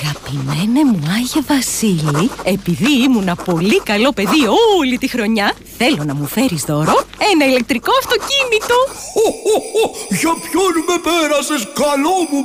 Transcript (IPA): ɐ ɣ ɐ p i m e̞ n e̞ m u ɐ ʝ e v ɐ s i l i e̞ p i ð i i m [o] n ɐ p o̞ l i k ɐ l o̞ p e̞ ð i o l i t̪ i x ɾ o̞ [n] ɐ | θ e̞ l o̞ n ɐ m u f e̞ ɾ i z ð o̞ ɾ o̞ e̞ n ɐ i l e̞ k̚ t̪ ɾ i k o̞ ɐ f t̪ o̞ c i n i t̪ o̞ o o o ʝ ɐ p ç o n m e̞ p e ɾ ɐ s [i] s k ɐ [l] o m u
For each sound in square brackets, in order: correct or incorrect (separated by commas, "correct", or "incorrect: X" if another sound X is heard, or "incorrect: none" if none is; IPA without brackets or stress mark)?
incorrect: u, incorrect: ɲ, incorrect: e, correct